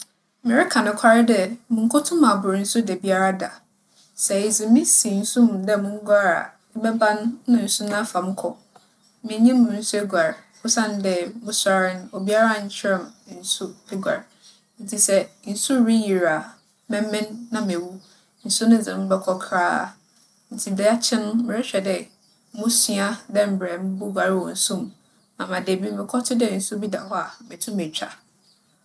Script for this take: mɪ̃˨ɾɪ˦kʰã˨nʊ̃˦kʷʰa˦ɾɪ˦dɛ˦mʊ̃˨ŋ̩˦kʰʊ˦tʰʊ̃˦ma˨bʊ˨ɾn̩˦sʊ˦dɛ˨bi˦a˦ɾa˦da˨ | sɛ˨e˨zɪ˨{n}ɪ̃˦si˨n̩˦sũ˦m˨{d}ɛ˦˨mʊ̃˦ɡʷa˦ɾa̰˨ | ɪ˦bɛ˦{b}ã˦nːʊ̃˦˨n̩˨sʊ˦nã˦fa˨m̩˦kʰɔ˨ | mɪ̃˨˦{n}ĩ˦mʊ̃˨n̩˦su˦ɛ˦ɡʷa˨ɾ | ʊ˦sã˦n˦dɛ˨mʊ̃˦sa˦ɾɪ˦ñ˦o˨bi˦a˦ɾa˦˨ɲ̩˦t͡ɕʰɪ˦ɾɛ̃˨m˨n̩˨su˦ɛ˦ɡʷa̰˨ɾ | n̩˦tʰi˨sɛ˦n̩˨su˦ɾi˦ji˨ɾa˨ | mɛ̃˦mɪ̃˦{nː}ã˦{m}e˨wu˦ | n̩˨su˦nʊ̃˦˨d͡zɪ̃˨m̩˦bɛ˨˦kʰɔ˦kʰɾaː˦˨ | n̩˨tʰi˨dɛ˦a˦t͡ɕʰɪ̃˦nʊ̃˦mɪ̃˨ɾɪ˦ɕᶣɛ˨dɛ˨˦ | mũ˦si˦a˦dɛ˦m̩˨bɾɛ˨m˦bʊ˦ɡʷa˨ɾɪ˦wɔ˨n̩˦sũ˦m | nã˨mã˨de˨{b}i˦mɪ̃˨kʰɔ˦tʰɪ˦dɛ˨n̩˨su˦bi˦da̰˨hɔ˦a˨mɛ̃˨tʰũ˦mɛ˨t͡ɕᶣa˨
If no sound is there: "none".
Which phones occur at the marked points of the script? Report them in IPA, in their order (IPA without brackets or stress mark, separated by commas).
m, d, b, ɲ, nː, m, b